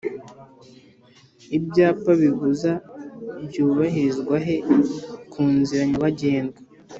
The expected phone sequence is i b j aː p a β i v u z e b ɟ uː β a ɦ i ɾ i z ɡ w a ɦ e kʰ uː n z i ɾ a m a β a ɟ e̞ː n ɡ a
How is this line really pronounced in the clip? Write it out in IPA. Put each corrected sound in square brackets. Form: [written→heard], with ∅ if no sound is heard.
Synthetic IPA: i b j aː p a β i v u z [e→a] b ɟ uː β a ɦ i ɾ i z ɡ w a ɦ e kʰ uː n z i ɾ a [m→ɲ] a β a ɟ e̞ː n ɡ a